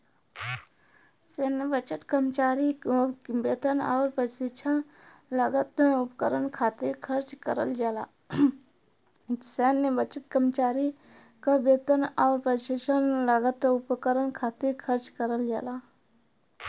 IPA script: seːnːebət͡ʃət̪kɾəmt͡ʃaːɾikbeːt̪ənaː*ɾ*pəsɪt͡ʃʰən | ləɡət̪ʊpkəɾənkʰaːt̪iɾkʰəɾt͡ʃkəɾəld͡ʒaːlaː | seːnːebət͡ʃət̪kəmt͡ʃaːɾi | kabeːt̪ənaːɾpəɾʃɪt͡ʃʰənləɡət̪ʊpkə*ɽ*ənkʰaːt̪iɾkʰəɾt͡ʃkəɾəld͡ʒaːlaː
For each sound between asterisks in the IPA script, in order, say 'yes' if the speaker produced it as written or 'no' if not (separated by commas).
yes, no